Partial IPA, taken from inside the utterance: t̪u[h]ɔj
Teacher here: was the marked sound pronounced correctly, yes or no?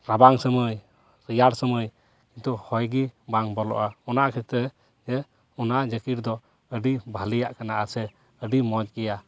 yes